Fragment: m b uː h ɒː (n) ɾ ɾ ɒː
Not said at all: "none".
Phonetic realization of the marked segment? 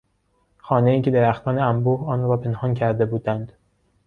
n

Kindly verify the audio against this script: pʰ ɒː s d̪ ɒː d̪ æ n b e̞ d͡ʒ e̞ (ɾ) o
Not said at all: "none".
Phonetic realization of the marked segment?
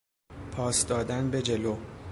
l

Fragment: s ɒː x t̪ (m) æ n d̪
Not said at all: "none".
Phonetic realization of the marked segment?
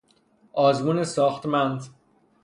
m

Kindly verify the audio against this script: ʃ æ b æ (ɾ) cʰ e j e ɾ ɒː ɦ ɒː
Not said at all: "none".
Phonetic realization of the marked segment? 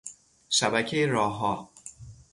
none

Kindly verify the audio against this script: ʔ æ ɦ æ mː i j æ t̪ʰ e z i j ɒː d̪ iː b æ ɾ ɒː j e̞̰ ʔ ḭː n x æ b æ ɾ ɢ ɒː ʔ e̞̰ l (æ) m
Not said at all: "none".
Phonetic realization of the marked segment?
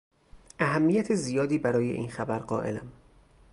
æ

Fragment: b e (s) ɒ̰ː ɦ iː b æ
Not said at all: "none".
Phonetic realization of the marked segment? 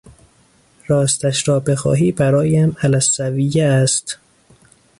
x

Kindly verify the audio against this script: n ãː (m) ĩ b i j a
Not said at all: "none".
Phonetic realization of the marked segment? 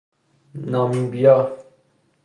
m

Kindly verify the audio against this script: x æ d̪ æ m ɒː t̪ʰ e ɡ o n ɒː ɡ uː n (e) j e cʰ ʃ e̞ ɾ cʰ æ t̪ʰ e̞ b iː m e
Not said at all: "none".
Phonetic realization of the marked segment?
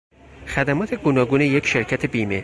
e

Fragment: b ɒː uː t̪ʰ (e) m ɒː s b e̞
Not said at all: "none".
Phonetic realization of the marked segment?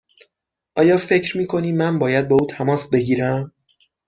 æ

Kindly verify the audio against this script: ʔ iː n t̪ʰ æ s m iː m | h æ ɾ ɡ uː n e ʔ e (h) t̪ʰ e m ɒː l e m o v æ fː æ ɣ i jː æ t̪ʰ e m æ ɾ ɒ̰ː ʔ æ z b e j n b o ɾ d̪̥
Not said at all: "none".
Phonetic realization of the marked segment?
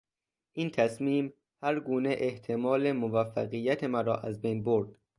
h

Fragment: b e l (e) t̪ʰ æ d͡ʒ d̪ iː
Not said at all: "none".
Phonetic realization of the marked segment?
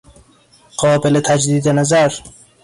e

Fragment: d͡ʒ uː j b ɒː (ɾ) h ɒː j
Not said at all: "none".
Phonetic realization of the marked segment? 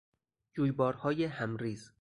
ɾ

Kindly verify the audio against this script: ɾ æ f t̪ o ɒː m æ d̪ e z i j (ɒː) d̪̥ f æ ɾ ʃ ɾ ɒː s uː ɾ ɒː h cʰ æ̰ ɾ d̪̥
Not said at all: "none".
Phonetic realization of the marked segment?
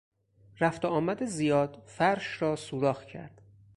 ɒː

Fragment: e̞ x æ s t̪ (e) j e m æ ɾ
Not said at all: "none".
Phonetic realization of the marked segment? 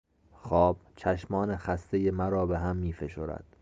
e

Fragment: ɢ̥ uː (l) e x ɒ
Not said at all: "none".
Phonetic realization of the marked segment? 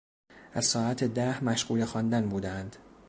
l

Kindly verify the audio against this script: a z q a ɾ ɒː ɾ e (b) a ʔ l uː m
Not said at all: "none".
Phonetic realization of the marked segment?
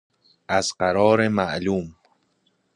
m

